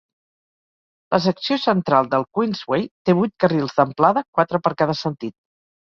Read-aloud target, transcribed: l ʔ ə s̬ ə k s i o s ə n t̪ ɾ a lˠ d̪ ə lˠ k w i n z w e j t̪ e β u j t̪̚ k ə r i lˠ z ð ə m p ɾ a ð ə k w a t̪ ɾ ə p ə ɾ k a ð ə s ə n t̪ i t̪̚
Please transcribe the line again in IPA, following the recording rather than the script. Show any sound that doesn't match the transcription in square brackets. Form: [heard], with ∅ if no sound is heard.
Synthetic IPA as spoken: l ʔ ə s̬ ə k s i o s ə n t̪ ɾ a lˠ d̪ ə lˠ k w i n z w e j t̪ e β u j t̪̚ k ə r i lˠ z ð ə m p [l] a ð ə k w a t̪ ɾ ə p ə ɾ k a ð ə s ə n t̪ i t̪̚